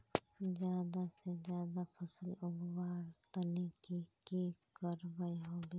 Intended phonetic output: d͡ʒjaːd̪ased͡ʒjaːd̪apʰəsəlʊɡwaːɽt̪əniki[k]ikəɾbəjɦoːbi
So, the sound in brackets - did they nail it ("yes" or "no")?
yes